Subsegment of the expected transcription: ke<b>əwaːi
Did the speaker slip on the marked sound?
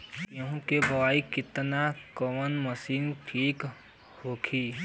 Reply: no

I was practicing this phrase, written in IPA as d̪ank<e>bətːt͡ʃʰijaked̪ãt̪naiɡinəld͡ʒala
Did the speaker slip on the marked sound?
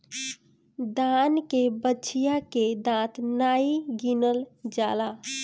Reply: no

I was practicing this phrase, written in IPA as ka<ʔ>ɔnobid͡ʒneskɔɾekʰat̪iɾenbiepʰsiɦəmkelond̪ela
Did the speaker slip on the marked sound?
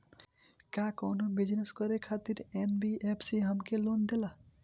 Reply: yes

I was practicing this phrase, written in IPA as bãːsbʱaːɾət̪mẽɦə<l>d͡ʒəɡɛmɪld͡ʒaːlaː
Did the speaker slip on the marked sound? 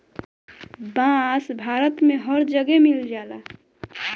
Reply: yes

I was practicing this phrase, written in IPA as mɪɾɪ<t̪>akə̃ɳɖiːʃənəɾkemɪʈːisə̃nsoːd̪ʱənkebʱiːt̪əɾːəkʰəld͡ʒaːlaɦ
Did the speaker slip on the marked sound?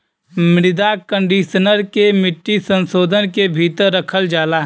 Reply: yes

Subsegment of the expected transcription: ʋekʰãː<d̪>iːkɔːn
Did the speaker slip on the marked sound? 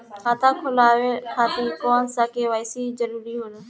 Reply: yes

